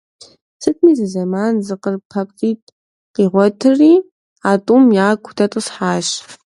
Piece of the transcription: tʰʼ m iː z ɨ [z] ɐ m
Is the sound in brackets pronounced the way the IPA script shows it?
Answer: yes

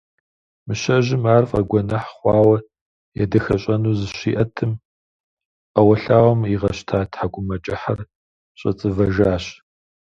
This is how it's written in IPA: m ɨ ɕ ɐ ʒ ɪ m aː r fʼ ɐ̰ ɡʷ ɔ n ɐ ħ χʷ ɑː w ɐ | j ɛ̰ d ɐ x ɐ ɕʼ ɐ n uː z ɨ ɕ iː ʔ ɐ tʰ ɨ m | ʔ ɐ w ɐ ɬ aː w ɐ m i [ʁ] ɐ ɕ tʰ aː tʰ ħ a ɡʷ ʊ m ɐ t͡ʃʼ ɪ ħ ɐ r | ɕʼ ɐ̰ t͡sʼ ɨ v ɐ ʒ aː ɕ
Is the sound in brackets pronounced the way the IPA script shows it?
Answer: yes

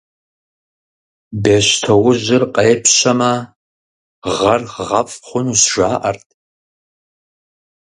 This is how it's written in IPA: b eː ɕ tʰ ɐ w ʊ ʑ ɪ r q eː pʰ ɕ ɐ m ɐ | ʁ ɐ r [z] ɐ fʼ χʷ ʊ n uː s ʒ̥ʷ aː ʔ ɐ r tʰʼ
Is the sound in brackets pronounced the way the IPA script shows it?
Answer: no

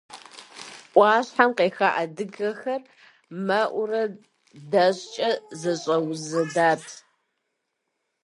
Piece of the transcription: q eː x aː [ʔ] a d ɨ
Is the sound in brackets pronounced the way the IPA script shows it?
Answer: yes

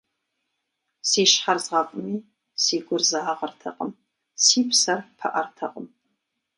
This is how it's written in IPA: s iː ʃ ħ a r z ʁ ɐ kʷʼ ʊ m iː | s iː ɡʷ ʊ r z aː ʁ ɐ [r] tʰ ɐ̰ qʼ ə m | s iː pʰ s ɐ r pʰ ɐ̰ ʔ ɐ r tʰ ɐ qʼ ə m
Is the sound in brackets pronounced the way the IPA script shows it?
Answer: yes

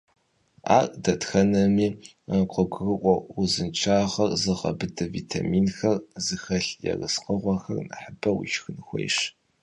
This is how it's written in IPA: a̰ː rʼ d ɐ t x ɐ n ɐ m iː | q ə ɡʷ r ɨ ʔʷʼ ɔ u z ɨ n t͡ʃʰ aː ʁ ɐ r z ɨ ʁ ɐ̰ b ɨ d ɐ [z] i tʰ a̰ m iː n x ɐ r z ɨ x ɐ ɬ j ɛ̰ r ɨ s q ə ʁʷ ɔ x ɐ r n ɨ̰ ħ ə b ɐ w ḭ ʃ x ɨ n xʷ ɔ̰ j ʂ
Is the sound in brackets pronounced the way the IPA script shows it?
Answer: no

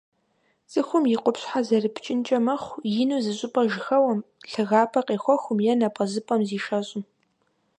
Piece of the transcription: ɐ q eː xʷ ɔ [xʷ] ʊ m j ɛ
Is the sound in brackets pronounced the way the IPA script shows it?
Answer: yes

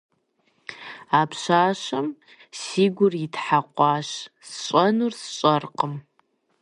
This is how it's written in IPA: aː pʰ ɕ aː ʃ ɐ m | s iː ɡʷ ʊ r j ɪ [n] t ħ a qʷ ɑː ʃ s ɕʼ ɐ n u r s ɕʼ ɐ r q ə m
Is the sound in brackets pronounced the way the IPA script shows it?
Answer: no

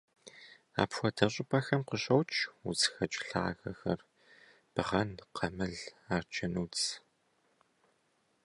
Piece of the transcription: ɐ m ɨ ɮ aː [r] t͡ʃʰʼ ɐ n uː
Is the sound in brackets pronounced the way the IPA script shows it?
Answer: yes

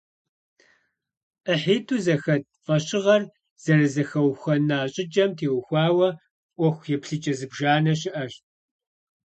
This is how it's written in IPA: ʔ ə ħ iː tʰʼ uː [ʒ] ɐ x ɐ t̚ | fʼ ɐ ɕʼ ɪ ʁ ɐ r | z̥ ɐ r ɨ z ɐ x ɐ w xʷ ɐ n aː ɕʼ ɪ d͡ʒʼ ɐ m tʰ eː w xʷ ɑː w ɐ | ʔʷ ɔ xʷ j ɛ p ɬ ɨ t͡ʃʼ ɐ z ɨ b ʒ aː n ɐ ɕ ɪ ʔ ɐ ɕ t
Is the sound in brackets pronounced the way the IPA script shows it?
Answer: no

